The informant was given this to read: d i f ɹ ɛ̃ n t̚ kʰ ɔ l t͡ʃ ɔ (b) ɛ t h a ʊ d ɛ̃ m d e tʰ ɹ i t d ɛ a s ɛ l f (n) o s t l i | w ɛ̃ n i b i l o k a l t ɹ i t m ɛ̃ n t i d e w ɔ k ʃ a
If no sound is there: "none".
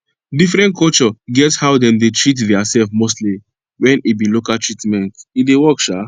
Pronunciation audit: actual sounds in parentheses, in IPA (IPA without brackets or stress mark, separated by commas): ɡ, m